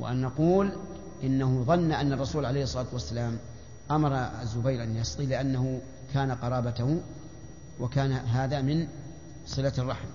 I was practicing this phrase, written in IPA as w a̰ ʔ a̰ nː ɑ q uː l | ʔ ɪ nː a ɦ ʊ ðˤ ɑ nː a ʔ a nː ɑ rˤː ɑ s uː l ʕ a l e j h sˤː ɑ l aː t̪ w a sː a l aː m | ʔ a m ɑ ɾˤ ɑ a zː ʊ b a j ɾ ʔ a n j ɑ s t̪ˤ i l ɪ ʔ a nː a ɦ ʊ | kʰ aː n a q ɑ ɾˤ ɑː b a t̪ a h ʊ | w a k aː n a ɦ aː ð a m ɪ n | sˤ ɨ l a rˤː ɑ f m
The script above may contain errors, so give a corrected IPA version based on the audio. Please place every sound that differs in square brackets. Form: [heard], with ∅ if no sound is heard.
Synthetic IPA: w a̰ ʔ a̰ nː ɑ q uː l | ʔ ɪ nː a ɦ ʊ ðˤ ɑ nː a ʔ a nː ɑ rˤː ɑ s uː l ʕ a l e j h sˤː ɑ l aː t̪ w a sː a l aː m | ʔ a m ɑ ɾˤ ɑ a zː ʊ b a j ɾ ʔ a n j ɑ s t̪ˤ i l ɪ ʔ a nː a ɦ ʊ | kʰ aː n a q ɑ ɾˤ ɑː b a t̪ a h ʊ | w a k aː n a ɦ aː ð a m ɪ n | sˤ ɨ l a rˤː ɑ [ħ] m